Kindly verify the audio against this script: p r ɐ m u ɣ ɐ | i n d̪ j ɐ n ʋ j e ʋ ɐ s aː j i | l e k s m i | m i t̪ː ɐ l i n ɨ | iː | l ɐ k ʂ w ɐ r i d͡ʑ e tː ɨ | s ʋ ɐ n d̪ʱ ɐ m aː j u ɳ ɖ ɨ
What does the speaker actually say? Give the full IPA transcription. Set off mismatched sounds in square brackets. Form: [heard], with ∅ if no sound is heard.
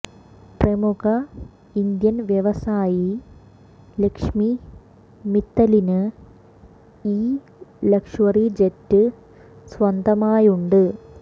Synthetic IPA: p r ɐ m u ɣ ɐ | i n d̪ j ɐ n ʋ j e ʋ ɐ s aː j i | l e k [ʂ] m i | m i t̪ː ɐ l i n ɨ | iː | l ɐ k ʂ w ɐ r i d͡ʑ e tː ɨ | s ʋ ɐ n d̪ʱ ɐ m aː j u ɳ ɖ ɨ